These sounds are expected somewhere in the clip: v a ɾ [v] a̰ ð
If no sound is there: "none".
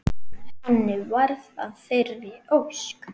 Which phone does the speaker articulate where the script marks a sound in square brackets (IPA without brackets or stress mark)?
ð